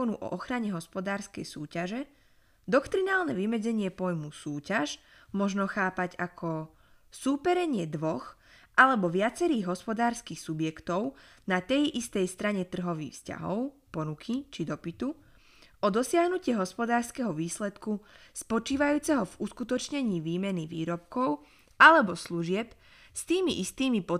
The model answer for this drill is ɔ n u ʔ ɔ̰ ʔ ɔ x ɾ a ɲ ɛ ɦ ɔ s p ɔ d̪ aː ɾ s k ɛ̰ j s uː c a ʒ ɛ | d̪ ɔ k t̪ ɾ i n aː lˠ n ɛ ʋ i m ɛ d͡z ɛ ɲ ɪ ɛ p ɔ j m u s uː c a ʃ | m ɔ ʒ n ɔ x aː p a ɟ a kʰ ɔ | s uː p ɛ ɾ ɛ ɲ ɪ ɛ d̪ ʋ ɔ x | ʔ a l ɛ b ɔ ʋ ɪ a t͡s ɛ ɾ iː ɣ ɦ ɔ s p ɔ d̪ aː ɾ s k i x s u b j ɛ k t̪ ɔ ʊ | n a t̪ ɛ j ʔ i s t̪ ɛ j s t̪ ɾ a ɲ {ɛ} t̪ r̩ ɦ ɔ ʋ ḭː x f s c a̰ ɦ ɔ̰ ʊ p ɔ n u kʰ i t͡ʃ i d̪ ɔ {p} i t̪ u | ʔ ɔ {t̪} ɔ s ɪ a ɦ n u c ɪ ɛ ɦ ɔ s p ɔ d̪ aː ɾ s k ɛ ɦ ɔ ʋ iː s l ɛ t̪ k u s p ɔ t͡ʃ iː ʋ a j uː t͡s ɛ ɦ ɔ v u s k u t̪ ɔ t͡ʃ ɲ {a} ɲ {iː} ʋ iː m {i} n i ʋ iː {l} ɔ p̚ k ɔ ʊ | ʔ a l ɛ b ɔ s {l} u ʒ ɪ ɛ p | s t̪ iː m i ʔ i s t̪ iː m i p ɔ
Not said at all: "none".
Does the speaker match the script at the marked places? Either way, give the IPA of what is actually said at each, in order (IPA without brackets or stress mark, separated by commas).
ɛ, p, d̪, ɛ, iː, ɛ, ɾ, l